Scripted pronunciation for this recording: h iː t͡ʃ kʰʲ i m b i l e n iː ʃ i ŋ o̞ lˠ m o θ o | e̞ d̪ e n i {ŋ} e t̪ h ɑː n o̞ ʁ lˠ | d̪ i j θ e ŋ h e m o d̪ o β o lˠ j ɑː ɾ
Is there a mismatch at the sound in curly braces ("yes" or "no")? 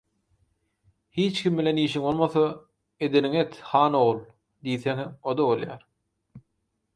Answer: no